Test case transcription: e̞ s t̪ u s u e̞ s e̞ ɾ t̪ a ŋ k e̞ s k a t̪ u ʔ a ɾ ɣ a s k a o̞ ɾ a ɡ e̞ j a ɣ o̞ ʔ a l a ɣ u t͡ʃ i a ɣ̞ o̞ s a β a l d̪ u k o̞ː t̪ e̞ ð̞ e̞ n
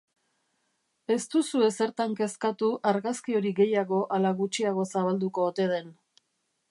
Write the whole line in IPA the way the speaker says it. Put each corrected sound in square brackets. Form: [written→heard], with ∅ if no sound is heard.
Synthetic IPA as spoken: e̞ s t̪ u s u e̞ s e̞ ɾ t̪ a ŋ k e̞ s k a t̪ u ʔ a ɾ ɣ a s k [a→i] o̞ ɾ [a→i] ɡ e̞ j a ɣ o̞ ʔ a l a ɣ u t͡ʃ i a ɣ̞ o̞ s a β a l d̪ u k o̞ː t̪ e̞ ð̞ e̞ n